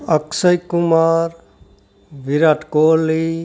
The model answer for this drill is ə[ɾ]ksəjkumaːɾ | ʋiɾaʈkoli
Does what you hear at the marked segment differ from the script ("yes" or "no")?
yes